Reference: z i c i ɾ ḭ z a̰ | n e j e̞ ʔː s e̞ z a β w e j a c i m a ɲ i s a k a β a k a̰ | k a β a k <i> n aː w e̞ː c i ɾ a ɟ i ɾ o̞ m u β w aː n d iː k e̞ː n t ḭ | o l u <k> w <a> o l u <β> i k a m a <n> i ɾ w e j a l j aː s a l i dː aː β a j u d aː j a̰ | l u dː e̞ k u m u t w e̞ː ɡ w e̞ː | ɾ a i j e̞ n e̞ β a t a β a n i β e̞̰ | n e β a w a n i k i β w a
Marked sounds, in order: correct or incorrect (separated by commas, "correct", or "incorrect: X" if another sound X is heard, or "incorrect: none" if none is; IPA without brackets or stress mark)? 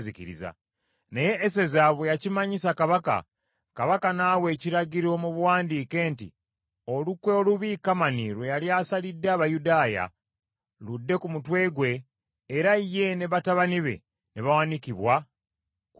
incorrect: a, correct, incorrect: e, correct, correct